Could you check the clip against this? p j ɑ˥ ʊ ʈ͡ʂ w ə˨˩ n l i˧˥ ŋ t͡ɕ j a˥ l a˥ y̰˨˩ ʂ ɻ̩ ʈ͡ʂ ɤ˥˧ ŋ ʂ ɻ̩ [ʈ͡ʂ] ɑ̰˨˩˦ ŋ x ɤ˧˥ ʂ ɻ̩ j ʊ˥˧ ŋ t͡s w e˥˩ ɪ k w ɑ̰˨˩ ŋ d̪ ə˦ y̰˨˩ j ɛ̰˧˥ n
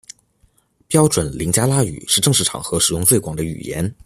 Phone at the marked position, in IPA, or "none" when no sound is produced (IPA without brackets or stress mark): ʈ͡ʂʰ